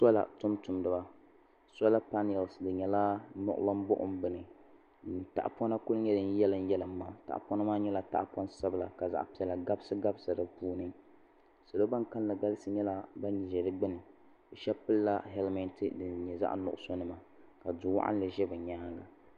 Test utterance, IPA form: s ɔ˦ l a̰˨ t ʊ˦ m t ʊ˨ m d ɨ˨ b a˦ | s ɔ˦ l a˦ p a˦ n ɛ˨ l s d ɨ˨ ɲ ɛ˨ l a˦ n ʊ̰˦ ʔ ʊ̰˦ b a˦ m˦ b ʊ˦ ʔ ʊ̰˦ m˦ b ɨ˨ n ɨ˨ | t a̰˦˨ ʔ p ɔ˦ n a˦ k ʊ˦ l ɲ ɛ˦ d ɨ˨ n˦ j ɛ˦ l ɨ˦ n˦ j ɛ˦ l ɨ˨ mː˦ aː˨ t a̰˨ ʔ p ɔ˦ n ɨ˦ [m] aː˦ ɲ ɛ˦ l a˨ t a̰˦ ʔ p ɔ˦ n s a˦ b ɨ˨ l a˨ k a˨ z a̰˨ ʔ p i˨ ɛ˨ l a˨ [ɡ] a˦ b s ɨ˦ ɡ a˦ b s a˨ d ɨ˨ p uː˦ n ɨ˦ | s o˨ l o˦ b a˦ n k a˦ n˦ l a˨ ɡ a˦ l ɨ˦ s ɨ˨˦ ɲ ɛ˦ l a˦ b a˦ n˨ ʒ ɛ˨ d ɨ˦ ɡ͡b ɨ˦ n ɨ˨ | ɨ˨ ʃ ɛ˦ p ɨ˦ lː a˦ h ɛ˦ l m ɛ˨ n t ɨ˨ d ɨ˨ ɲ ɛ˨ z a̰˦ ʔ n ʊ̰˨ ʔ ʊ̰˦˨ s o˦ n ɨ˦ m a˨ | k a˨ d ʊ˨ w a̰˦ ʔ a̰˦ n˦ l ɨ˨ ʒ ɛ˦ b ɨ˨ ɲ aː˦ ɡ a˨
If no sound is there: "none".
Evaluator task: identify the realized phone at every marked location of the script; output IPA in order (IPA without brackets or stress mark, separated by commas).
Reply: m, ɡ